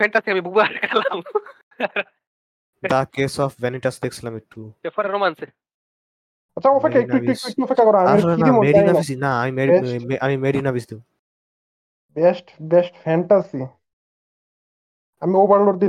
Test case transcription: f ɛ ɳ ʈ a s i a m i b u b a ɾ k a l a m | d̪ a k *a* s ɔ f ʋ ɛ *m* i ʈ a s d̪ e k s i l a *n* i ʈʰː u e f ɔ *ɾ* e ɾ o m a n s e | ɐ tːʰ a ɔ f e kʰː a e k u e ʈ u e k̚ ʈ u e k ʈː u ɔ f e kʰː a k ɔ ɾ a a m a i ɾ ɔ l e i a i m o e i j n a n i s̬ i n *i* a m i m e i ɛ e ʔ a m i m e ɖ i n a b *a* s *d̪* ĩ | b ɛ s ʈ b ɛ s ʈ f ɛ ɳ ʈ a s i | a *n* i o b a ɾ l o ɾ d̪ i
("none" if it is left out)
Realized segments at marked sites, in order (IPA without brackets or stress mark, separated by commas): e, n, m, ɾ, a, i, d̪, m